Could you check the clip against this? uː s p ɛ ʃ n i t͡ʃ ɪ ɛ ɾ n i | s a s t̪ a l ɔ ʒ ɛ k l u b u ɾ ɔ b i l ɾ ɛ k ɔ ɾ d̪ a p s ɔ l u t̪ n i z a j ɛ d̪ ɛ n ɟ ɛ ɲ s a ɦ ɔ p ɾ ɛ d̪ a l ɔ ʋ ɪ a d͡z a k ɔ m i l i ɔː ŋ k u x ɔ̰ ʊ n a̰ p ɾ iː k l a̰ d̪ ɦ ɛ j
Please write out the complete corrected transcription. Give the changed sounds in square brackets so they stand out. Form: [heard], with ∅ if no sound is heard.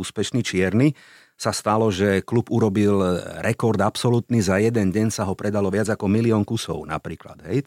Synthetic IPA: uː s p ɛ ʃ n i t͡ʃ ɪ ɛ ɾ n i | s a s t̪ a l ɔ ʒ ɛ k l u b u ɾ ɔ b i l ɾ ɛ k ɔ ɾ d̪ a p s ɔ l u t̪ n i z a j ɛ d̪ ɛ n ɟ ɛ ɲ s a ɦ ɔ p ɾ ɛ d̪ a l ɔ ʋ ɪ a d͡z a k ɔ m i l i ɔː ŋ k u [s] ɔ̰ ʊ n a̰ p ɾ iː k l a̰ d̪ ɦ ɛ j